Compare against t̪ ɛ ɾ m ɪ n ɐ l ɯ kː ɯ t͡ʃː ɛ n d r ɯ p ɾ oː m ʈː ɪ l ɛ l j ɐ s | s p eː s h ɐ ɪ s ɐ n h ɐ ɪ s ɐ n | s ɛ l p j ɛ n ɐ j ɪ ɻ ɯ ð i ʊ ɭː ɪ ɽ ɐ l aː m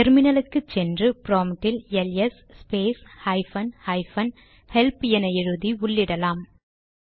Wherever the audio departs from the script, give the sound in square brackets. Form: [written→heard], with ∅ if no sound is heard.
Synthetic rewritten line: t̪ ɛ ɾ m ɪ n ɐ l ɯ kː ɯ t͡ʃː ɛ n d r ɯ p ɾ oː m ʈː ɪ l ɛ l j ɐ s | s p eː s h ɐ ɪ [s→f] ɐ n h ɐ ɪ [s→f] ɐ n | [s→h] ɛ l p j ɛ n ɐ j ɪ ɻ ɯ ð i ʊ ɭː ɪ ɽ ɐ l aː m